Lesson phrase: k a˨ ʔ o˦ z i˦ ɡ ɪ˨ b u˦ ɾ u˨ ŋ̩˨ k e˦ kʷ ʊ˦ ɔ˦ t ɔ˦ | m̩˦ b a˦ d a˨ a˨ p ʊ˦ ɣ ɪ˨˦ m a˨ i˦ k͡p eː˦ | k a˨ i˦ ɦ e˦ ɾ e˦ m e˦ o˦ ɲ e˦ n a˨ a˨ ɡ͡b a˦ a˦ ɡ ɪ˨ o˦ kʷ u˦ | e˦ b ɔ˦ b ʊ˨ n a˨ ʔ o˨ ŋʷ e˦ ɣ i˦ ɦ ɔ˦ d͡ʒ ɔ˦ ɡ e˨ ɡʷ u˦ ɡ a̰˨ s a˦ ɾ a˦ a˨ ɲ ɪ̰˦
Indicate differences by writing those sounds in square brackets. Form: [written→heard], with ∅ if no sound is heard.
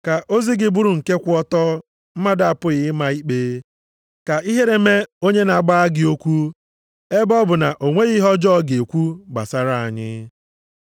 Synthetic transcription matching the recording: k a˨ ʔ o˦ z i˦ ɡ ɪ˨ b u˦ ɾ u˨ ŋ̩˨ k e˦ kʷ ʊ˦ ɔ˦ t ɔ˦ | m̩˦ [b→m] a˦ d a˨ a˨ p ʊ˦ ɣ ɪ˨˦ m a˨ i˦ k͡p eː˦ | k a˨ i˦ ɦ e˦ ɾ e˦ m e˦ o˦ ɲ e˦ n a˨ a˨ ɡ͡b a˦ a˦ ɡ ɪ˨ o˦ kʷ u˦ | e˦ b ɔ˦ b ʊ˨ n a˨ ʔ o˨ ŋʷ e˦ ɣ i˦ ɦ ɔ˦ d͡ʒ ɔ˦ ɡ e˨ [ɡʷ→kʷ] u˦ [ɡ→ɡ͡b] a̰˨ s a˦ ɾ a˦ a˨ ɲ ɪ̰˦